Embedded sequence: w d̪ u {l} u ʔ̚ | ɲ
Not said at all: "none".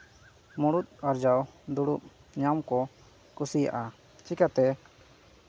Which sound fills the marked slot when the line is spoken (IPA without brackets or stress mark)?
ɽ